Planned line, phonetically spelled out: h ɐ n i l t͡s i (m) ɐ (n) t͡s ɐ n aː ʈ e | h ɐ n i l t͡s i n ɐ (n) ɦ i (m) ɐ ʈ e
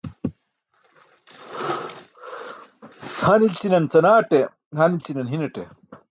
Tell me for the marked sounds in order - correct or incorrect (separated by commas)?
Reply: incorrect, correct, correct, incorrect